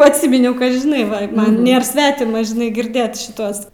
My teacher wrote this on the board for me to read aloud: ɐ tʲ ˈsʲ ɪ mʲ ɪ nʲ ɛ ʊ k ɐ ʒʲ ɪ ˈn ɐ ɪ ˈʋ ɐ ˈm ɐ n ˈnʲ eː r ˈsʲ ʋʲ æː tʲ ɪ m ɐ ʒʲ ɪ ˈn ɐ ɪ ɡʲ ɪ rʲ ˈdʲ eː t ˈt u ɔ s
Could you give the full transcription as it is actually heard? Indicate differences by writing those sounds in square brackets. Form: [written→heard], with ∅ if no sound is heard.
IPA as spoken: ɐ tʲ ˈsʲ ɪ mʲ ɪ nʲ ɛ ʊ k ɐ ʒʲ ɪ ˈn ɐ ɪ ˈʋ ɐ ˈm ɐ n ˈnʲ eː r ˈsʲ ʋʲ æː tʲ ɪ m ɐ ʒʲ ɪ ˈn ɐ ɪ ɡʲ ɪ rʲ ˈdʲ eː t ˈt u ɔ s